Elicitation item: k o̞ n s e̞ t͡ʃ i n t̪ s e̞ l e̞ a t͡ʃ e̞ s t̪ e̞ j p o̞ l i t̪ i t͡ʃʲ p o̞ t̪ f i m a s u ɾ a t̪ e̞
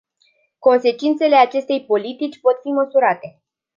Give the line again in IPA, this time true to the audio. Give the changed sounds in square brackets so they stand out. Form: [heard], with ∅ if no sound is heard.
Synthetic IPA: k o̞ n s e̞ t͡ʃ i n t̪ s e̞ l e̞ a t͡ʃ e̞ s t̪ e̞ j p o̞ l i t̪ i t͡ʃʲ p o̞ t̪ f i m [ə] s u ɾ a t̪ e̞